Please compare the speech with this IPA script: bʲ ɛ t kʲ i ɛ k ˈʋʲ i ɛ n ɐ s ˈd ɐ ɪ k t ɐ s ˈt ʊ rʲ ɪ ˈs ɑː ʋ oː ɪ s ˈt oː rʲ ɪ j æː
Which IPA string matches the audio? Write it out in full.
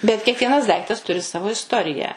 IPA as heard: bʲ ɛ t kʲ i ɛ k ˈʋʲ i ɛ n ɐ s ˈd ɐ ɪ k t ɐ s ˈt ʊ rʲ ɪ ˈs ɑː ʋ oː ɪ s ˈt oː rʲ ɪ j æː